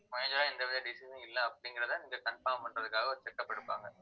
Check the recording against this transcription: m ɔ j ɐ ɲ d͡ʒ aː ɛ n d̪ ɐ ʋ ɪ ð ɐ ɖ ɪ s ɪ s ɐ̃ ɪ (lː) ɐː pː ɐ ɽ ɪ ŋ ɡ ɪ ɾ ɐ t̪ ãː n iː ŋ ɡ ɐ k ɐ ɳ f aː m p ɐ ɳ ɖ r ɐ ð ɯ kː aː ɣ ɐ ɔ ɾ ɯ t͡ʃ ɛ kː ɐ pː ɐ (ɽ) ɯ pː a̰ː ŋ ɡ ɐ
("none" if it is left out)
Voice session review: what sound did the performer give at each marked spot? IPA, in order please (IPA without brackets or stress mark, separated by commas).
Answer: lː, ɽ